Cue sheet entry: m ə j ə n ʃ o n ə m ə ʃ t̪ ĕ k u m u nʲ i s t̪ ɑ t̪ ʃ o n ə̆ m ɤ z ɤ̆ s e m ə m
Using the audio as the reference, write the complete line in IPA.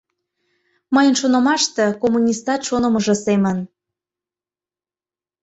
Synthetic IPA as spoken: m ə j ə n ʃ o n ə m ɑ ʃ t̪ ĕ k o m u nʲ i s t̪ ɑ t̪ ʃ o n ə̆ m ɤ ʒ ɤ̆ s e m ə n